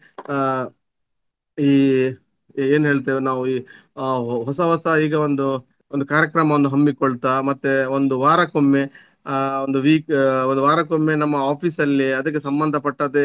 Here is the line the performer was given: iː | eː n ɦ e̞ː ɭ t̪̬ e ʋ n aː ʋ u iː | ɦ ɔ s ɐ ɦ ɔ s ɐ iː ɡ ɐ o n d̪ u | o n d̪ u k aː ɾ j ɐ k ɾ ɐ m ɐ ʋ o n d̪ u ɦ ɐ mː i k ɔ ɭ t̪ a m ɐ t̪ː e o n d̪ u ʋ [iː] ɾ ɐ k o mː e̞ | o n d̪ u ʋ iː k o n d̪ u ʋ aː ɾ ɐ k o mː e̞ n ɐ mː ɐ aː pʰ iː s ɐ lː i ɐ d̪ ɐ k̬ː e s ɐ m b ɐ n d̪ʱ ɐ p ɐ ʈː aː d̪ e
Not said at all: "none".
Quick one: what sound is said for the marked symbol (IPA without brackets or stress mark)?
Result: aː